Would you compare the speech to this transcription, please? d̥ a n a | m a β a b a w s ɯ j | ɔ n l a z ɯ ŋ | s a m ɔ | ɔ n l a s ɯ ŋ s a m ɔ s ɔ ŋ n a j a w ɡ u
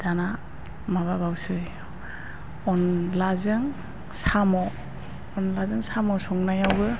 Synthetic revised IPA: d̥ a n a | m a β a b a w s ɯ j | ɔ n l a z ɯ ŋ | s a m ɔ | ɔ n l a z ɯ ŋ s a m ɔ s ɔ ŋ n a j a w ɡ ɯ

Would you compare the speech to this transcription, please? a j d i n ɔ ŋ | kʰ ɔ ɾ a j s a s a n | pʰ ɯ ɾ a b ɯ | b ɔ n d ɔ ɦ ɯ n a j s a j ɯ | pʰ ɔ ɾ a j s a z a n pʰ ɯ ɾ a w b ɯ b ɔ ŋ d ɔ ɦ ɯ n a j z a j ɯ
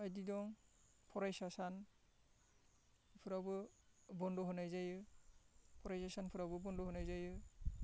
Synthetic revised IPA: a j d i d ɔ ŋ | pʰ ɔ ɾ a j s a s a n | pʰ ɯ ɾ a b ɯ | b ɔ n d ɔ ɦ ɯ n a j z a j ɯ | pʰ ɔ ɾ a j s a s a n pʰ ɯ ɾ a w b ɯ b ɔ n d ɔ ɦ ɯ n a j z a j ɯ

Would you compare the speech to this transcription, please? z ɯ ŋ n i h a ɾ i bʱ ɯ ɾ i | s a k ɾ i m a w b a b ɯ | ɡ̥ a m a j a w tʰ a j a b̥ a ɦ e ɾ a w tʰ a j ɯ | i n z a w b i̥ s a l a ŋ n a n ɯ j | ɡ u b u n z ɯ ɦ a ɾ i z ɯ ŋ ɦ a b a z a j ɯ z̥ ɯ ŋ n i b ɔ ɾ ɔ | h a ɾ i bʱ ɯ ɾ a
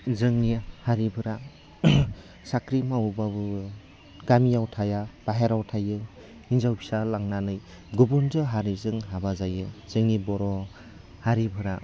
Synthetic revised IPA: z ɯ ŋ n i h a ɾ i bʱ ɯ ɾ a | s a k ɾ i m a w b a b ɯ | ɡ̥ a m i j a w tʰ a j a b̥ a ɦ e ɾ a w tʰ a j ɯ | i n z a w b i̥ s a l a ŋ n a n ɯ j | ɡ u b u n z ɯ ɦ a ɾ i z ɯ ŋ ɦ a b a z a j ɯ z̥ ɯ ŋ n i b ɔ ɾ ɔ | h a ɾ i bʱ ɯ ɾ a

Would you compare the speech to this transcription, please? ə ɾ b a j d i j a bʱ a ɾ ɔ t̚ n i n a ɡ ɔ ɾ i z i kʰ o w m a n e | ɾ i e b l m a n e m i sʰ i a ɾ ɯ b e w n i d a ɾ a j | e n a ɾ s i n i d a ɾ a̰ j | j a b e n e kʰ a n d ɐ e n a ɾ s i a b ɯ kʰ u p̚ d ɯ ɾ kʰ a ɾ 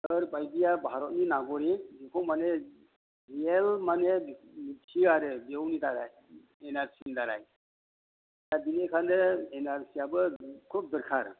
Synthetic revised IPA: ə ɾ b a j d i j a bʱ a ɾ ɔ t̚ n i n a ɡ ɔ ɾ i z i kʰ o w m a n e | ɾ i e l m a n e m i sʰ i a ɾ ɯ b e w n i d a ɾ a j | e n a ɾ s i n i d a ɾ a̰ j | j a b i n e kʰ a n d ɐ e n a ɾ s i a b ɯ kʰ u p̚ d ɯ ɾ kʰ a ɾ

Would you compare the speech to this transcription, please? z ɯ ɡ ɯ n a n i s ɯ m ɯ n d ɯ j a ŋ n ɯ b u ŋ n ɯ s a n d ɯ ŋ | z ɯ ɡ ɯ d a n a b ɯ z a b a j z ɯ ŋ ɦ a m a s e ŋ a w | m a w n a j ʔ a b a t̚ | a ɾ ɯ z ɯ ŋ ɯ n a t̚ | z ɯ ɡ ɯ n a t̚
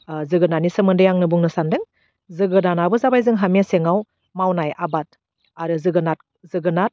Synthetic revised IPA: z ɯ ɡ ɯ n a n i s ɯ m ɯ n d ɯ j a ŋ n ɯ b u ŋ n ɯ s a n d ɯ ŋ | z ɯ ɡ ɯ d a n a b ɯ z a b a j z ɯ ŋ ɦ a m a s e ŋ a w | m a w n a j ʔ a b a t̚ | a ɾ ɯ z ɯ ɡ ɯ n a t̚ | z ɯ ɡ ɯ n a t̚

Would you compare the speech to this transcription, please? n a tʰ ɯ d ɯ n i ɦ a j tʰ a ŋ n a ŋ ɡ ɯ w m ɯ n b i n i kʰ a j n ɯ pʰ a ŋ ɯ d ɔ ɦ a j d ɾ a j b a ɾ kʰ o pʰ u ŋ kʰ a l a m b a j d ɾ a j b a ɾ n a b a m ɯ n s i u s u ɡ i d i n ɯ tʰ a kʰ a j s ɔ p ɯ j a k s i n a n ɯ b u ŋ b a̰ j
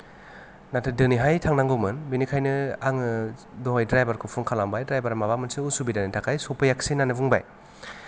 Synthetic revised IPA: n a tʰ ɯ d ɯ n i ɦ a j tʰ a ŋ n a ŋ ɡ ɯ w m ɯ n b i n i kʰ a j n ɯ a ŋ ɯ d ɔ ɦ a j d ɾ a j b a ɾ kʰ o pʰ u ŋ kʰ a l a m b a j d ɾ a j b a ɾ m a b a m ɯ n s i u s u b i d a n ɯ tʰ a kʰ a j s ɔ p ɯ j a k s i n a n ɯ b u ŋ b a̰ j

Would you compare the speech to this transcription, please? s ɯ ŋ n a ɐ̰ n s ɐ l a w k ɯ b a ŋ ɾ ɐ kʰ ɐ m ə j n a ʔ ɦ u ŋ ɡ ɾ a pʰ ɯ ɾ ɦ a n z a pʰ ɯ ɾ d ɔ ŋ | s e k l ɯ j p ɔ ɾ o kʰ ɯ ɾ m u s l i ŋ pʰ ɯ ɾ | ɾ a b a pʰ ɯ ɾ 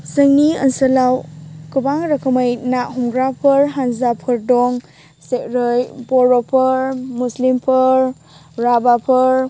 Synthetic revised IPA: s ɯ ŋ n i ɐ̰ n s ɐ l a w k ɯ b a ŋ ɾ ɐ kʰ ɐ m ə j n a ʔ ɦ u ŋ ɡ ɾ a pʰ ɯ ɾ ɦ a n z a pʰ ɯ ɾ d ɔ ŋ | s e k ɾ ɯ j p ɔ ɾ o pʰ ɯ ɾ m u s l i m pʰ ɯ ɾ | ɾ a b a pʰ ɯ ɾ

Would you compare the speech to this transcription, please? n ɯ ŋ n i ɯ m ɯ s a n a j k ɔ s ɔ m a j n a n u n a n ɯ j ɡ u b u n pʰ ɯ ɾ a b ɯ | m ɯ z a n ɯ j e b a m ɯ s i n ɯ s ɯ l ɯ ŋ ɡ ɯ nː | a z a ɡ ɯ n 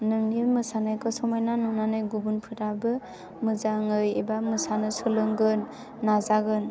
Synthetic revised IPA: n ɯ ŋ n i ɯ m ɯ s a n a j k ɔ s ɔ m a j n a n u n a n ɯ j ɡ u b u n pʰ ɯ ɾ a b ɯ | m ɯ z a ŋ ɯ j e b a m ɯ s a n ɯ s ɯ l ɯ ŋ ɡ ɯ nː | a z a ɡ ɯ n

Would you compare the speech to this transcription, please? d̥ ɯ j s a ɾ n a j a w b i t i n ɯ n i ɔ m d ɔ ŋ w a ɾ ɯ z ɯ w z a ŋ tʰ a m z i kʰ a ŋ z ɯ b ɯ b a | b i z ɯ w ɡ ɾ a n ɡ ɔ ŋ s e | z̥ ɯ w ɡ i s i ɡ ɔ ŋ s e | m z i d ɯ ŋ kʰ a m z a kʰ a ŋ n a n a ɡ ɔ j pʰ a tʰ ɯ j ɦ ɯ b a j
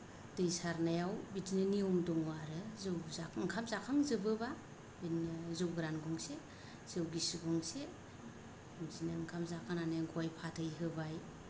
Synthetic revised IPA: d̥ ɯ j s a ɾ n a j a w b i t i n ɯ n i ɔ m d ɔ ŋ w a ɾ ɯ z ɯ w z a ŋ kʰ a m z a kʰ a ŋ z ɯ b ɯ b a | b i z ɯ w ɡ ɾ a n ɡ ɔ ŋ s e | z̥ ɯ w ɡ i s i ɡ ɔ ŋ s e | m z i n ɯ ŋ kʰ a m z a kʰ a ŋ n a n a ɡ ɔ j pʰ a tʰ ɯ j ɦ ɯ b a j

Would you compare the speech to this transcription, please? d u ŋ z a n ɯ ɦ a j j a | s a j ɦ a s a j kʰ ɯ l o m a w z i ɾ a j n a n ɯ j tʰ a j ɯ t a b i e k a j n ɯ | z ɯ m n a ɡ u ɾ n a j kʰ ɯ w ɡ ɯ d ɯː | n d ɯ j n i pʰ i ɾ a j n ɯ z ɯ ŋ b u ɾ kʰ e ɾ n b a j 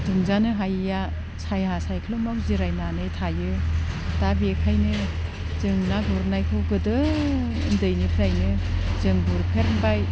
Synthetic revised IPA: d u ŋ z a n ɯ ɦ a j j a | s a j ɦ a s a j kʰ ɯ l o m a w z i ɾ a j n a n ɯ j tʰ a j ɯ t a b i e kʰ a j n ɯ | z ɯ ŋ n a ɡ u ɾ n a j kʰ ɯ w ɡ ɯ d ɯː | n d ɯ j n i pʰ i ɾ a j n ɯ z ɯ ŋ b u ɾ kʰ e ɾ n b a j

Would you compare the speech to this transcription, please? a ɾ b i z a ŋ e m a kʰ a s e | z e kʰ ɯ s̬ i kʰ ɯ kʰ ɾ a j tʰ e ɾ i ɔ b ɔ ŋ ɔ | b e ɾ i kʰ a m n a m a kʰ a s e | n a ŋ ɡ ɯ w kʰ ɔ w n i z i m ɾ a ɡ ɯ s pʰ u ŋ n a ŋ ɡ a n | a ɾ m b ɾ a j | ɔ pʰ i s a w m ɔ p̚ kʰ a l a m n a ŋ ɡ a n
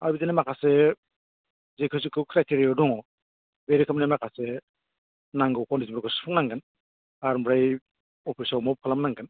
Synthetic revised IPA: a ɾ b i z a n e m a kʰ a s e | z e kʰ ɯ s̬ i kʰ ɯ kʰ ɾ a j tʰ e ɾ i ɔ d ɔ ŋ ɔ | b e ɾ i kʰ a m n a m a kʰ a s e | n a ŋ ɡ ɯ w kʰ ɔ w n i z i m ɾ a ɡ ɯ s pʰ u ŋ n a ŋ ɡ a n | a ɾ m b ɾ a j | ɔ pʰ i s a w m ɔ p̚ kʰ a l a m n a ŋ ɡ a n

